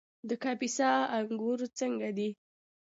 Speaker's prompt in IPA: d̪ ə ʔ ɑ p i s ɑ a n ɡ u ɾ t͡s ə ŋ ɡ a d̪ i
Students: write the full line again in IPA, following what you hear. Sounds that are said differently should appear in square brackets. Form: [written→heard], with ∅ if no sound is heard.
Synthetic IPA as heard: d̪ ə [ʔ→k] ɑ p i s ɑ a [n→ŋ] ɡ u ɾ t͡s ə ŋ ɡ a d̪ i